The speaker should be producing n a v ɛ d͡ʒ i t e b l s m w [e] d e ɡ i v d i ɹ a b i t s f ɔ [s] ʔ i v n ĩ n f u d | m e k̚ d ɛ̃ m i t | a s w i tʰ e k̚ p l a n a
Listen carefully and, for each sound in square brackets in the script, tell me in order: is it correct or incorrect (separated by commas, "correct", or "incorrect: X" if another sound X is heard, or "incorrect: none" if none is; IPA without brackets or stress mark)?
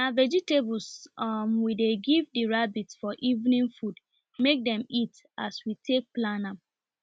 incorrect: i, incorrect: none